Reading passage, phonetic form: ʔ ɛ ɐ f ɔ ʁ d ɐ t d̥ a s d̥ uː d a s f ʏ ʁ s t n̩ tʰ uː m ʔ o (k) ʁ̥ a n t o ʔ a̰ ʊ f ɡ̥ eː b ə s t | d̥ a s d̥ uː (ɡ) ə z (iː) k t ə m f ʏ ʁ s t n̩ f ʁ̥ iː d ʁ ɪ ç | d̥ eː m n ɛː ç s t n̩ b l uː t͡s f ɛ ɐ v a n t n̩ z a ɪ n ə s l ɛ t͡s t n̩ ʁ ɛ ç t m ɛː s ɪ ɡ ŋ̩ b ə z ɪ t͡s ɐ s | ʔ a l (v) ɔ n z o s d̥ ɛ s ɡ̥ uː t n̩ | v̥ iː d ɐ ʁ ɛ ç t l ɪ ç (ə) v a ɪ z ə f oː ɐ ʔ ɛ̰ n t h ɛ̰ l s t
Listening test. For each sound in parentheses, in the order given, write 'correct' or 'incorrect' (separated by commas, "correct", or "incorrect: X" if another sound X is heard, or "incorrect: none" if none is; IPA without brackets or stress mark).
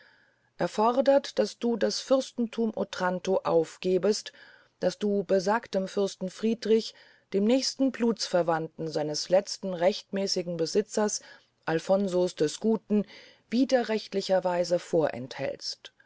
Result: incorrect: t, incorrect: b, incorrect: aː, incorrect: f, incorrect: ɐ